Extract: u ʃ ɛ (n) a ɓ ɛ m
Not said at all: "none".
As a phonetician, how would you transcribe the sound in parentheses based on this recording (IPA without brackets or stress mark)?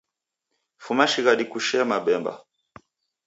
m